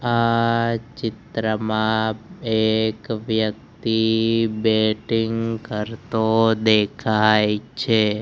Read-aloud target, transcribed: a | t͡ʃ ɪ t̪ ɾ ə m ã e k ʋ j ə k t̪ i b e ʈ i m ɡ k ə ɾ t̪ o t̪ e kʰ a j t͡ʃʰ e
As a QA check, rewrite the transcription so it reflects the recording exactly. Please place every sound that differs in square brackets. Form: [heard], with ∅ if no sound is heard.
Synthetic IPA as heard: a | t͡ʃ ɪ t̪ ɾ ə m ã e k ʋ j ə k t̪ i b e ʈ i [ŋ] ɡ k ə ɾ t̪ o [d̪] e kʰ a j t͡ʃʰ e